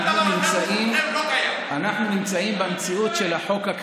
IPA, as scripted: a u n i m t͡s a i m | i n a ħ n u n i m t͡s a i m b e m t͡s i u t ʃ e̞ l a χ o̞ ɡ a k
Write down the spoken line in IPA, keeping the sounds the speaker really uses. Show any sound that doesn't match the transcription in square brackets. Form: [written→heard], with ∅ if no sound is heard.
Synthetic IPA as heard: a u n i m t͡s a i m | [i→a] n a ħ n u n i m t͡s a i m b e m t͡s i u t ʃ e̞ l a [χ→ħ] o̞ [ɡ→k] a k